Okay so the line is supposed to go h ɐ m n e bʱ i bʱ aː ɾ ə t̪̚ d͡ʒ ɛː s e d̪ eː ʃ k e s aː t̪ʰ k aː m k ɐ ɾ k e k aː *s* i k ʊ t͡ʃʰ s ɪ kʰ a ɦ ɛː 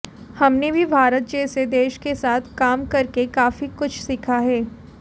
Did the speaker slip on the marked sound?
yes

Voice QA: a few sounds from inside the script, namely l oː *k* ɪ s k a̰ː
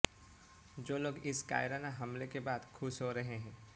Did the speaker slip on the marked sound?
yes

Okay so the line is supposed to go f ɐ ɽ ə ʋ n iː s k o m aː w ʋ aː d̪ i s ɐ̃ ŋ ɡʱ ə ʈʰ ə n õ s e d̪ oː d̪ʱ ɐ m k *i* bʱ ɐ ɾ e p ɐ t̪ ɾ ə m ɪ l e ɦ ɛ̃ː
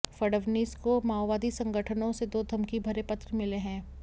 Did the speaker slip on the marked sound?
no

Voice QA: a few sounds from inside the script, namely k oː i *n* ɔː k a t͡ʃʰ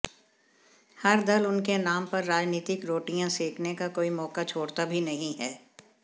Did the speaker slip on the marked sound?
yes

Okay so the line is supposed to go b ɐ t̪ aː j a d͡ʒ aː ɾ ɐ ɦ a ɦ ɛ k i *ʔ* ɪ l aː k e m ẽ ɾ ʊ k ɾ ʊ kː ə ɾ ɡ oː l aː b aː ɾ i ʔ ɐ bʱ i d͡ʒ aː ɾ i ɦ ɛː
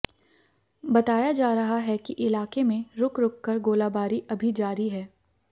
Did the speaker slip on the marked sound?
no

